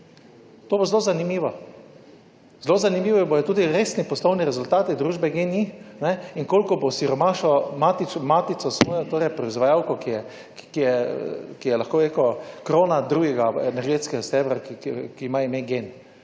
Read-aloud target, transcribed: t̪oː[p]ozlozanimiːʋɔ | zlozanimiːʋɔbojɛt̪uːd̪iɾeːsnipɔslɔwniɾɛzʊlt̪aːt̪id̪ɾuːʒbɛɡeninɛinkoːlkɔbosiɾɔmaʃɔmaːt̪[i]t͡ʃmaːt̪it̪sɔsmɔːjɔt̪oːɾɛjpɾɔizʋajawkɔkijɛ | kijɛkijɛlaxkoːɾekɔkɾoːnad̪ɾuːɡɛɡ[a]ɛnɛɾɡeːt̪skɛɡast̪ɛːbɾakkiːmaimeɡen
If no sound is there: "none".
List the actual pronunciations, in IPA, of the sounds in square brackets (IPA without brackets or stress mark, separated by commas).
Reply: b, i, a